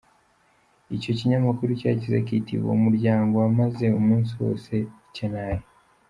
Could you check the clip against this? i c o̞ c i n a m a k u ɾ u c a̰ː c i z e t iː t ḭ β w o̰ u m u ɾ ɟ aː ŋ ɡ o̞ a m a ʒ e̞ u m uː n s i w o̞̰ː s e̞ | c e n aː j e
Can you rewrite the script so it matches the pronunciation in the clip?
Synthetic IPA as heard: i c o̞ c i ɲ a m a k u ɾ u c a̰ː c i z e k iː t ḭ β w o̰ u m u ɾ ɟ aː ŋ ɡ o̞ a m a z e̞ u m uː n s i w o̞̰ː s e̞ | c e n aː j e